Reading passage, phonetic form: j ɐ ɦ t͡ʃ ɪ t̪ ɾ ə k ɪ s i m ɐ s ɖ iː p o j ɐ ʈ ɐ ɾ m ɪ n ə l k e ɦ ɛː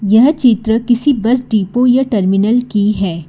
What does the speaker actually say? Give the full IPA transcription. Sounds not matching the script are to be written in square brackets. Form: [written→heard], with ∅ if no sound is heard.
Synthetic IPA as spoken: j ɐ ɦ t͡ʃ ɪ t̪ ɾ ə k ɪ s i [m→b] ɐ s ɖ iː p o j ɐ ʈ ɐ ɾ m ɪ n ə l k [e→i] ɦ ɛː